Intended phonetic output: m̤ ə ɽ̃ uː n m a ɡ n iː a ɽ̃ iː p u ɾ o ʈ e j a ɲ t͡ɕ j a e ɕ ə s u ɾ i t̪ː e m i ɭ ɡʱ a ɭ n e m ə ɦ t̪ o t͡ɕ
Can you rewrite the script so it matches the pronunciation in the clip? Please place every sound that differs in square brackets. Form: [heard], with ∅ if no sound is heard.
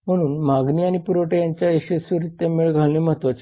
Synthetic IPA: m̤ ə ɽ̃ uː n m a ɡ n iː a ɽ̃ [i] p u ɾ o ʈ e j a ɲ t͡ɕ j a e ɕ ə s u ɾ i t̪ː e m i ɭ ɡʱ a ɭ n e m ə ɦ t̪ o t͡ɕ

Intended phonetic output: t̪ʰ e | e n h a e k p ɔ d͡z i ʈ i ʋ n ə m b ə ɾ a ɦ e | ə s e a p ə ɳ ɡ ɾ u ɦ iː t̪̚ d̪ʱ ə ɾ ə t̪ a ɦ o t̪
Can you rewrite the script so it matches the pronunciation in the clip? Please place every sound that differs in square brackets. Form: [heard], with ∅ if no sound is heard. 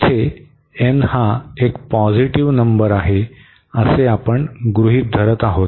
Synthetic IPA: t̪ʰ e | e n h a e k p ɔ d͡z i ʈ i ʋ n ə m b ə ɾ a ɦ e | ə s e a p ə ɳ ɡ ɾ u ɦ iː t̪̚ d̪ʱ ə ɾ ə t̪ a ɦ o t̪

